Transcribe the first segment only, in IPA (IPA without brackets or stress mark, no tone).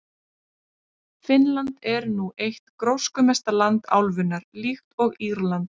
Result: f